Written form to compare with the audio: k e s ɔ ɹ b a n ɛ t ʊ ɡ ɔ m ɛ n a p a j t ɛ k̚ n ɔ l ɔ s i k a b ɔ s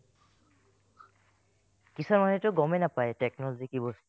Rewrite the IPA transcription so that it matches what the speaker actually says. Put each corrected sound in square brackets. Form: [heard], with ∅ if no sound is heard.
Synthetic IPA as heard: k [i] s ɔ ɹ [m] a n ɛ t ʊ ɡ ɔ m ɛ n a p a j t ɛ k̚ n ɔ l ɔ [z] i k [i] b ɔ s